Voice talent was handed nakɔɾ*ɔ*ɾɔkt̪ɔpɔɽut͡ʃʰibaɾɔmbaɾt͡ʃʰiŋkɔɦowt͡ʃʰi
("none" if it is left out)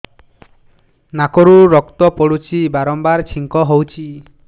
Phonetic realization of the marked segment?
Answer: u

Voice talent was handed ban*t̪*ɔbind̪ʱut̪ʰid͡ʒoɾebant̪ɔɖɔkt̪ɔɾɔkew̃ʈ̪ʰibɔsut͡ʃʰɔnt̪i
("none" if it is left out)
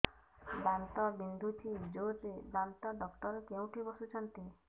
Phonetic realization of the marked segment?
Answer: t̪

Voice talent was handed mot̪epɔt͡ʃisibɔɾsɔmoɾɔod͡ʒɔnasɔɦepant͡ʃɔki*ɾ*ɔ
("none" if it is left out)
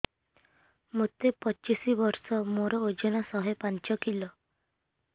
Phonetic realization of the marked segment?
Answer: l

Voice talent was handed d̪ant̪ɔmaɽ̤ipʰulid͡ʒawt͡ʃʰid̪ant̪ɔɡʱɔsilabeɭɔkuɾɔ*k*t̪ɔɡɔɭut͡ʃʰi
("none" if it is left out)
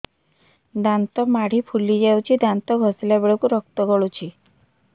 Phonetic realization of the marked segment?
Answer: k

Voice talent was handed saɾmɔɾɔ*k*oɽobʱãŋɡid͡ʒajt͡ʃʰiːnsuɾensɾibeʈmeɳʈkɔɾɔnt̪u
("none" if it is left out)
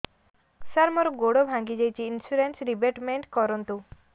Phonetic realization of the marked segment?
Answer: ɡ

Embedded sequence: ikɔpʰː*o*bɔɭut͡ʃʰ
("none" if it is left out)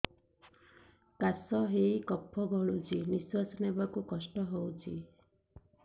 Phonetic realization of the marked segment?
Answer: ɔ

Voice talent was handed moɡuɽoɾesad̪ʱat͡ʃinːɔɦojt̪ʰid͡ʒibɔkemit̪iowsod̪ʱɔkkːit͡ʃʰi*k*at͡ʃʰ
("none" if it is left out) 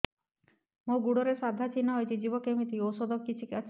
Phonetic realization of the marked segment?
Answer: k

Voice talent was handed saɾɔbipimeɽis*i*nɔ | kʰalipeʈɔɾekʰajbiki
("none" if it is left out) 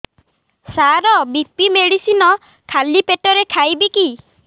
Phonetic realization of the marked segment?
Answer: i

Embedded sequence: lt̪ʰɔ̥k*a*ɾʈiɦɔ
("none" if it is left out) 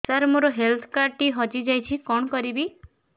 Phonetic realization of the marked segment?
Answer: a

